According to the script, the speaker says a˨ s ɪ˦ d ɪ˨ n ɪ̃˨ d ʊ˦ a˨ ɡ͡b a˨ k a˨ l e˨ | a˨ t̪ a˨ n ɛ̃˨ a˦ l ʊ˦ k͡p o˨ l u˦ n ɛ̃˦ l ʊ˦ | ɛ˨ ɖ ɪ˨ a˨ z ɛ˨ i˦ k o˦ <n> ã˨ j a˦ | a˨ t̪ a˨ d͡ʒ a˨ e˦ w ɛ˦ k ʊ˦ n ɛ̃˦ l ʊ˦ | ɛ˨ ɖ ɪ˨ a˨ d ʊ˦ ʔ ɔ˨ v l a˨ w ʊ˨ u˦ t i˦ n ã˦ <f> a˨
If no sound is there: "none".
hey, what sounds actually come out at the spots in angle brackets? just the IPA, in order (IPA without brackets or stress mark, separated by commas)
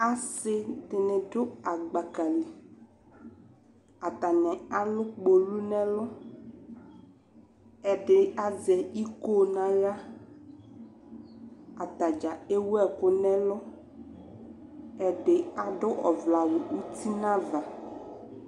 n, v